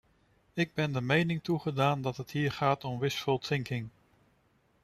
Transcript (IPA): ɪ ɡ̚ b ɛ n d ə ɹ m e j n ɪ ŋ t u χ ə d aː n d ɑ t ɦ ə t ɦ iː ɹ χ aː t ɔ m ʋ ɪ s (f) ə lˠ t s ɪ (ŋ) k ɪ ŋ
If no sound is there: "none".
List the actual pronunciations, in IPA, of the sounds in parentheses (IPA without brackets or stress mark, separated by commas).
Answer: f, ŋ